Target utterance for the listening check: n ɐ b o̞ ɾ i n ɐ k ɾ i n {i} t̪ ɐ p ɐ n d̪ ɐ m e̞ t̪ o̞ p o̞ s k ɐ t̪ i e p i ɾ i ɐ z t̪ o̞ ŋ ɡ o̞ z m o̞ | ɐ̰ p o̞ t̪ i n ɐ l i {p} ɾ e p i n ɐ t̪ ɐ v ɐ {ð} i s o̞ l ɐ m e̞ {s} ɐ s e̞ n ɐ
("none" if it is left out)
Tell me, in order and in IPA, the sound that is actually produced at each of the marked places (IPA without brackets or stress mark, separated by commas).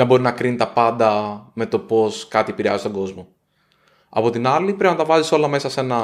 i, p, z, s